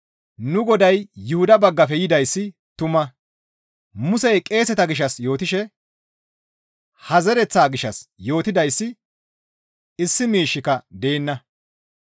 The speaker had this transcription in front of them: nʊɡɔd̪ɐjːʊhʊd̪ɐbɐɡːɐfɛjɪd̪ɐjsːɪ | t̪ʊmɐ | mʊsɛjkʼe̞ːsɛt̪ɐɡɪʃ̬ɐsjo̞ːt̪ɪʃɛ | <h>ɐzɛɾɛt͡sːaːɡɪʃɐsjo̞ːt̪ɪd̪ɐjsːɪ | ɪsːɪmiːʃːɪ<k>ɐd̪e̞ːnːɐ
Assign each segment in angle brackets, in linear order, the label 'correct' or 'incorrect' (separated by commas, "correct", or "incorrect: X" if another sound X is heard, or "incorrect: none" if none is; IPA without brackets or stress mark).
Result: correct, correct